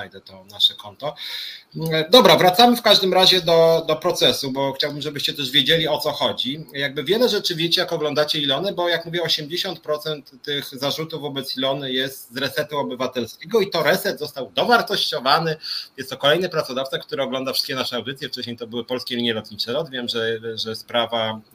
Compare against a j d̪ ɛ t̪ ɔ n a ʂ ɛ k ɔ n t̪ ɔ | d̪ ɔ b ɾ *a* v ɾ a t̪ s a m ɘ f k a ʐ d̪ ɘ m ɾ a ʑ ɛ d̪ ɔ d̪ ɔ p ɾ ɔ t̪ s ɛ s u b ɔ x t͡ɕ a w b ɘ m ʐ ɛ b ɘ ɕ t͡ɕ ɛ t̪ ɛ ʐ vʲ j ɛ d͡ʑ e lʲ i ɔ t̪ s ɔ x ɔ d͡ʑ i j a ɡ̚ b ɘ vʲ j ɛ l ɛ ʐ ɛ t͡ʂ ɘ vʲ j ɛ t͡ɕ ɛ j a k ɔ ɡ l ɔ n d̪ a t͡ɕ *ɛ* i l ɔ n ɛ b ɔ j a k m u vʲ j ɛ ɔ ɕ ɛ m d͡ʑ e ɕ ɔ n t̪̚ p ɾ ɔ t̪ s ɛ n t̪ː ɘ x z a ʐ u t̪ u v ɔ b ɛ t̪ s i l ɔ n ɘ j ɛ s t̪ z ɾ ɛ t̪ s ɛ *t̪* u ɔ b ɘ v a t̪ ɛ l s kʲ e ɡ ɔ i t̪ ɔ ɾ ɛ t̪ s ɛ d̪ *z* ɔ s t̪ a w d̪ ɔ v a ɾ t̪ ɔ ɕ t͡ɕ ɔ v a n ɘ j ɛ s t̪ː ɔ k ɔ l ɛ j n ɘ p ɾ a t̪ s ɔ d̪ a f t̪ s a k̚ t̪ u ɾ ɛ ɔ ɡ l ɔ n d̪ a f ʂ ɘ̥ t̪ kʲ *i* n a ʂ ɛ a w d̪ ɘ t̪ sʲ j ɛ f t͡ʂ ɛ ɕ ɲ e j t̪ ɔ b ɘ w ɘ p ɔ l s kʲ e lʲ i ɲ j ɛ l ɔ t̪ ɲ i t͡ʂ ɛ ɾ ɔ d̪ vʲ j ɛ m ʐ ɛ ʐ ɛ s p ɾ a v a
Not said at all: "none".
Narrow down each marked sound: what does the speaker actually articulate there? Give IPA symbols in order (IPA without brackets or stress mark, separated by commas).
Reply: a, ɛ, t̪, z, ɛ